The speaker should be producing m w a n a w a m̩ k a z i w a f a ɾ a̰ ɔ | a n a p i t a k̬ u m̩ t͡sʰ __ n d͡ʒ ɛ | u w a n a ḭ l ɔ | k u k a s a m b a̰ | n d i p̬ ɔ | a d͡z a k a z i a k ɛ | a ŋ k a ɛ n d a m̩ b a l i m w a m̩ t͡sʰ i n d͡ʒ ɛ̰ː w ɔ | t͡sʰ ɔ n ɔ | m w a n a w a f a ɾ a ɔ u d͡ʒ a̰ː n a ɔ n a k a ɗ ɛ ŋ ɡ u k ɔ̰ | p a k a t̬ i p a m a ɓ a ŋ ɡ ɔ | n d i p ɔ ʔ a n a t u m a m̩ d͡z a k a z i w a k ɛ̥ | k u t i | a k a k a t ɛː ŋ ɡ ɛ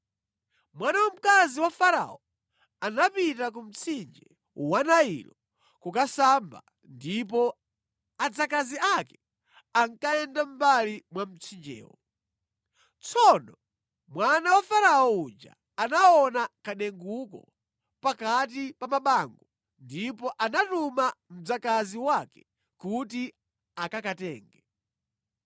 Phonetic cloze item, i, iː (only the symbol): i